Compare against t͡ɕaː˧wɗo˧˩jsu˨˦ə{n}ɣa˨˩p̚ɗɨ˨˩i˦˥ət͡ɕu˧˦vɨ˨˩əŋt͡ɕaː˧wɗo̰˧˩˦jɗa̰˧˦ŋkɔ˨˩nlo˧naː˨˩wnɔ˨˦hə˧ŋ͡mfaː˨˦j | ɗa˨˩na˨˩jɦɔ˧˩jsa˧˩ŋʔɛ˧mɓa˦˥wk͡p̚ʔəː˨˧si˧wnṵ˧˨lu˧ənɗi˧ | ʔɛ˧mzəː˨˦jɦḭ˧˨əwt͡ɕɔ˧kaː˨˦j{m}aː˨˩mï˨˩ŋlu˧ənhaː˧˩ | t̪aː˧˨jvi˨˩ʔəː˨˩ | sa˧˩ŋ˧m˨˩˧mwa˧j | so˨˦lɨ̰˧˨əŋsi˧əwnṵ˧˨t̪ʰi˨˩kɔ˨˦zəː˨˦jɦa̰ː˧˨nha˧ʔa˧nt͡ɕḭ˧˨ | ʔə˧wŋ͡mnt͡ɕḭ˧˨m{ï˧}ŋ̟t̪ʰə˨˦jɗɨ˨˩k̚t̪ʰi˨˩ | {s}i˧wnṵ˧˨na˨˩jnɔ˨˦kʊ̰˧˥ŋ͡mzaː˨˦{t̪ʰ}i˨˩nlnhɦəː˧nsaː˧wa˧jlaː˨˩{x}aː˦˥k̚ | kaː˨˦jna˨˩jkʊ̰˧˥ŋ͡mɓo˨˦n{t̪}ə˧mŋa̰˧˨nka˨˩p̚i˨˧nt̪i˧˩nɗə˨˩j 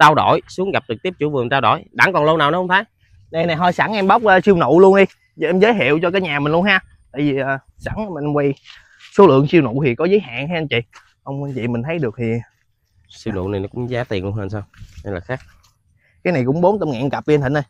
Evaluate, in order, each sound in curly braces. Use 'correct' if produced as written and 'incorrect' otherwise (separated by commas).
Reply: incorrect, incorrect, incorrect, correct, incorrect, correct, correct